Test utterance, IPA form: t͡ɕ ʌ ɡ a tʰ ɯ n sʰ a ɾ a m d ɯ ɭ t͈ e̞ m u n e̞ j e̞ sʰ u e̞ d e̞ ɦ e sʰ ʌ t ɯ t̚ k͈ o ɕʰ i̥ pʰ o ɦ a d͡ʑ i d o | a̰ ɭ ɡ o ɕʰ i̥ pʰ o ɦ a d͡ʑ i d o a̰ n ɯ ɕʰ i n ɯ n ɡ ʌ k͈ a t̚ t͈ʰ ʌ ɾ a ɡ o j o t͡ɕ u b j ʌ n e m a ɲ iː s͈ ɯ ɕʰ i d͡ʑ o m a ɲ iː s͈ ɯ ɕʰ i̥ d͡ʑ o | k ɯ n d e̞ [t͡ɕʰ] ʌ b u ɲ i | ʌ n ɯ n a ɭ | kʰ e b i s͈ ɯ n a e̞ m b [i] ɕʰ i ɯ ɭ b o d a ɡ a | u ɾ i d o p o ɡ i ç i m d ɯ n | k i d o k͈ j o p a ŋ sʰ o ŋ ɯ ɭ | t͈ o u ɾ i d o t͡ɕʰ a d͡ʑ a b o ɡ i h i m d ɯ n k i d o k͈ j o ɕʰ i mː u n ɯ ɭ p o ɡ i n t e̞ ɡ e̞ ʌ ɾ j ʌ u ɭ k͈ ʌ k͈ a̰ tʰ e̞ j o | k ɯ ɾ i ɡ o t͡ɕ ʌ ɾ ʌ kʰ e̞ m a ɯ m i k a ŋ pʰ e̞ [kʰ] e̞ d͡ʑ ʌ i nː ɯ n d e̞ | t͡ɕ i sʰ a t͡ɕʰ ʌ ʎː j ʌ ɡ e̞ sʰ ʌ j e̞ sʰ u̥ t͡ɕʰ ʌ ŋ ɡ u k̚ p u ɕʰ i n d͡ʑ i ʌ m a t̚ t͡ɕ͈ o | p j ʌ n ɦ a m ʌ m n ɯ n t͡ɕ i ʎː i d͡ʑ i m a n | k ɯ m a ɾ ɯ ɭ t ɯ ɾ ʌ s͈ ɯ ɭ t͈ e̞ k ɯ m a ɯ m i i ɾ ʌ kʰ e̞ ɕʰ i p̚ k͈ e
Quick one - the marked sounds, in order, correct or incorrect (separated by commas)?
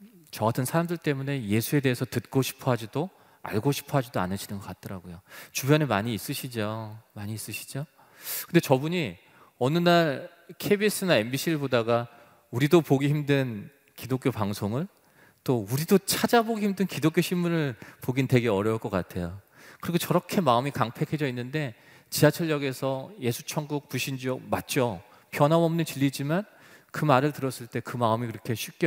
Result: incorrect, correct, correct